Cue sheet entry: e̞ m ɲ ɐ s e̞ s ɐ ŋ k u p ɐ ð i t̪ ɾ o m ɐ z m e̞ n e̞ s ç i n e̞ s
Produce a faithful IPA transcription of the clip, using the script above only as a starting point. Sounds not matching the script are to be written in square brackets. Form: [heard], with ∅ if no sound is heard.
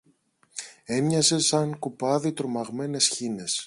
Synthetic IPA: e̞ m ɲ ɐ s e̞ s ɐ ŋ k u p ɐ ð i t̪ ɾ o m ɐ [ɣ] m e̞ n e̞ s ç i n e̞ s